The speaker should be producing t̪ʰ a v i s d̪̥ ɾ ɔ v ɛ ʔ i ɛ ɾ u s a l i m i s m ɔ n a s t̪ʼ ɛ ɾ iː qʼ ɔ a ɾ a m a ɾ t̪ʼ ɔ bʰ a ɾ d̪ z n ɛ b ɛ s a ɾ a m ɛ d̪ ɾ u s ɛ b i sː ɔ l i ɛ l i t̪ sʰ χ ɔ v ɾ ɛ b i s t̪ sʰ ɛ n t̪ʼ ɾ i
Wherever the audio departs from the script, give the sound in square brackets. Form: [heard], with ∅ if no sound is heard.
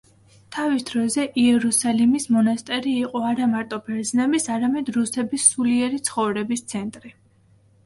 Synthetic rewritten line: t̪ʰ a v i s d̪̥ ɾ ɔ [z] ɛ ʔ i ɛ ɾ u s a l i m i s m ɔ n a s t̪ʼ ɛ ɾ iː qʼ ɔ a ɾ a m a ɾ t̪ʼ ɔ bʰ [ɛ] ɾ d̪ z n ɛ b [i] s a ɾ a m ɛ d̪ ɾ u s ɛ b i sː [u] l i ɛ [ɾ] i t̪ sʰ χ ɔ v ɾ ɛ b i s t̪ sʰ ɛ n t̪ʼ ɾ i